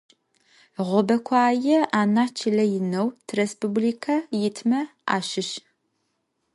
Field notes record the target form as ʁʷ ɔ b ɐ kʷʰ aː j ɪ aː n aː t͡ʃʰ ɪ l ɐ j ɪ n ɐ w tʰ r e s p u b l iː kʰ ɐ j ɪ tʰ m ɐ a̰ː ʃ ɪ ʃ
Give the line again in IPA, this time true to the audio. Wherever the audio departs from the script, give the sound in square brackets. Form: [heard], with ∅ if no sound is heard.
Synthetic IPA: ʁʷ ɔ b ɐ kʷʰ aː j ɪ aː n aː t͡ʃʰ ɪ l ɐ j ɪ n ɐ w tʰ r e s p u b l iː kʰ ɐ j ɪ tʰ m ɐ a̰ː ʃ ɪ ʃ